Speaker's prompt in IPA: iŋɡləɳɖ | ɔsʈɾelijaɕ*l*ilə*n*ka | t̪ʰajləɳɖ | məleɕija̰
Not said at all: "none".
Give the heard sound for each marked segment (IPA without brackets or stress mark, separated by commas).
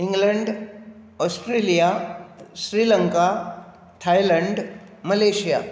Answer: ɾ, ŋ